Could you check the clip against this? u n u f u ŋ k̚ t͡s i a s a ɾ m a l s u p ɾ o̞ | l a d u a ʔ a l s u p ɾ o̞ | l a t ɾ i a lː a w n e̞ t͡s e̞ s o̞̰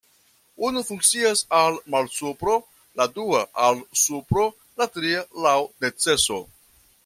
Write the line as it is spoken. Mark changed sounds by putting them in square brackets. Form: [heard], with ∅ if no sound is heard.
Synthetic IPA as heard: u n u f u ŋ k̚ t͡s i a s a [l] m a l s u p ɾ o̞ | l a d u a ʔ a l s u p ɾ o̞ | l a t ɾ i a [l] a w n e̞ t͡s e̞ s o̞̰